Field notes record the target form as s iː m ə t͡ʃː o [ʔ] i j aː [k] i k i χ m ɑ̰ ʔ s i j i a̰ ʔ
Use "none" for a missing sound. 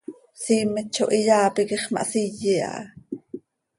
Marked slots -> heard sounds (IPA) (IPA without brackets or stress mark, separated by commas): ʔ, p